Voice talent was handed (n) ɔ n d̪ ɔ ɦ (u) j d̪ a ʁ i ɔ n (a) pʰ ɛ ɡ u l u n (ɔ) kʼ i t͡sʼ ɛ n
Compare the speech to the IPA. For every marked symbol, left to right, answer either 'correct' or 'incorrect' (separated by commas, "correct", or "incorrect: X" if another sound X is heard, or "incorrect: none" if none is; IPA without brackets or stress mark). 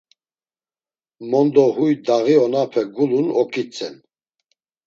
incorrect: m, correct, correct, correct